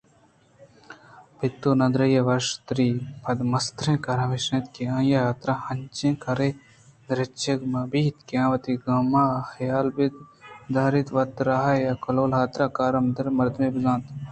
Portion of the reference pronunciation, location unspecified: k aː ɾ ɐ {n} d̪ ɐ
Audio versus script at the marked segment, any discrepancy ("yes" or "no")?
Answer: yes